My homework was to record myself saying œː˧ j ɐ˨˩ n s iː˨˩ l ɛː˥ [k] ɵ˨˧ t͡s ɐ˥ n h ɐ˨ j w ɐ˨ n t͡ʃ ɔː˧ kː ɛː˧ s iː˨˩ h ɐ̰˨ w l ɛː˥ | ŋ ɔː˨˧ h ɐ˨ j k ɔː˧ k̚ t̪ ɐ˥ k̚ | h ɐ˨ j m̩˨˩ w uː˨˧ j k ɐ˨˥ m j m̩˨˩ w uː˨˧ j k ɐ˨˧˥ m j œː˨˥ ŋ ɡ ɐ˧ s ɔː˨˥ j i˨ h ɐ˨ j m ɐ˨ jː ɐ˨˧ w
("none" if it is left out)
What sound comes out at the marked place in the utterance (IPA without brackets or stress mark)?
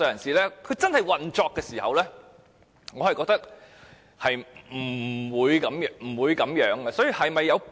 kʰ